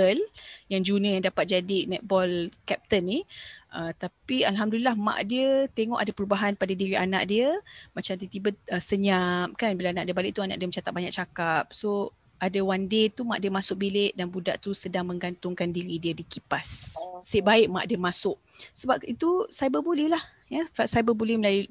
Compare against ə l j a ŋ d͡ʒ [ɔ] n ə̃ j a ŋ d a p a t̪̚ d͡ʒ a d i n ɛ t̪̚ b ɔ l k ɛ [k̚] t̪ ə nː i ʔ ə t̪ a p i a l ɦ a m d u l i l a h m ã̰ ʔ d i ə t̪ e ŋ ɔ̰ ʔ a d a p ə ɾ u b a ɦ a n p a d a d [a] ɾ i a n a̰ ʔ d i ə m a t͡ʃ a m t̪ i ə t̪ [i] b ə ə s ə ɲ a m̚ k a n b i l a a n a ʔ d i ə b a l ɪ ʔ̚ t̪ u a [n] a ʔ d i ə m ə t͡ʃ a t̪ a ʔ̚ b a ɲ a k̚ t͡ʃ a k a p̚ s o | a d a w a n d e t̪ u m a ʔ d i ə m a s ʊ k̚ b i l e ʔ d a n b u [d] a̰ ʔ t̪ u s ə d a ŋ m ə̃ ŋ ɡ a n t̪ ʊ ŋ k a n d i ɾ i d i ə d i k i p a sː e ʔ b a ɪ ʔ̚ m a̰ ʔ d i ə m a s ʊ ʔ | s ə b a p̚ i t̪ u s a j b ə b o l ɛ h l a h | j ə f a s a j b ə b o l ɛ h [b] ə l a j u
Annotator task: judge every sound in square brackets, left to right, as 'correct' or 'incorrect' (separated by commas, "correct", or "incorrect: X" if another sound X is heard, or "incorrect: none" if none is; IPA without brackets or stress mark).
incorrect: u, incorrect: p̚, incorrect: i, correct, correct, correct, incorrect: m